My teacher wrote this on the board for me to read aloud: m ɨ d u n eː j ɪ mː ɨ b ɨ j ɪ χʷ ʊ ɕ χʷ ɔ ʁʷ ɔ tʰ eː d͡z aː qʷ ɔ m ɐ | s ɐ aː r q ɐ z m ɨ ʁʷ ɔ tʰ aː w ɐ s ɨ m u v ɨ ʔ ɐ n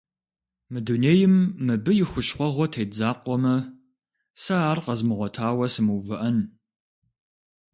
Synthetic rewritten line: m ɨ d u n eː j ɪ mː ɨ b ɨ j ɪ xʷ ʊ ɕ χʷ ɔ ʁʷ ɔ tʰ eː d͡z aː qʷ ɔ m ɐ | s ɐ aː r q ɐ z m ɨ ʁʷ ɔ tʰ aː w ɐ s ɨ m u v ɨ ʔ ɐ n